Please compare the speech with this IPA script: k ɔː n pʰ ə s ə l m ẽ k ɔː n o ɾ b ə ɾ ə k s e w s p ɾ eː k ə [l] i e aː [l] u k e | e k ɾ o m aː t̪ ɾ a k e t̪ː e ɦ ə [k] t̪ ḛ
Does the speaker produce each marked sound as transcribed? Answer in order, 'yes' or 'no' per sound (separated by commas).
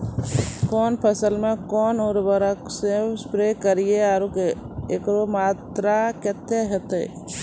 no, no, no